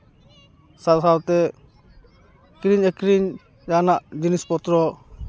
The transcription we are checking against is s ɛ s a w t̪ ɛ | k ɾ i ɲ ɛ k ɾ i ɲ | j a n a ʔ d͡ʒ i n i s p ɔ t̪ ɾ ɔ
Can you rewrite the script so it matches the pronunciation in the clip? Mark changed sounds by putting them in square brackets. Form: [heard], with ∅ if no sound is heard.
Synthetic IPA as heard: s [a] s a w t̪ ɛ | k ɾ i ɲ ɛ k ɾ i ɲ | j a n a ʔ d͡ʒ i n i s p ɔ t̪ ɾ ɔ